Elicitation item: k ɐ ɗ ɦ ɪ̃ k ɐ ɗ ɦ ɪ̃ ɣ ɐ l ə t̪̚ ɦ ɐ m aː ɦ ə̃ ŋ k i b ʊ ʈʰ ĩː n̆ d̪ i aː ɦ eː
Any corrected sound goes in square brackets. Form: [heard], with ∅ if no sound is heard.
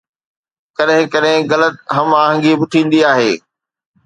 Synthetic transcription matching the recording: k ɐ ɗ ɦ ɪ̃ k ɐ ɗ ɦ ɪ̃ ɣ ɐ l ə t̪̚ ɦ ɐ m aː ɦ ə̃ ŋ [ɡ] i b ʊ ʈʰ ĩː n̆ d̪ i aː ɦ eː